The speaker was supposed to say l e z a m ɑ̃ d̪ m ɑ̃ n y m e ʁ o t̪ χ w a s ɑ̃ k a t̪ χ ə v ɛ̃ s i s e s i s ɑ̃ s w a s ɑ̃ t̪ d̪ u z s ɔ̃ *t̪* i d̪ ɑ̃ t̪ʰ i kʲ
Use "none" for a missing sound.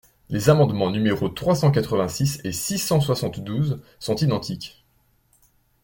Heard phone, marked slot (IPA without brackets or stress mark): t̪